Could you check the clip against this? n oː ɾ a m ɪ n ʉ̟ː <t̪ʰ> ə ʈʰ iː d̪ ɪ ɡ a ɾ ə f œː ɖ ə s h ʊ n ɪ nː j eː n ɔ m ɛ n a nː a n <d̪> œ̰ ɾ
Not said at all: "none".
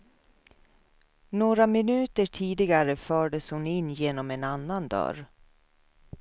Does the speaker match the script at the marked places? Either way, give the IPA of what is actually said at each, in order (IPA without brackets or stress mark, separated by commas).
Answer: t̪, d̪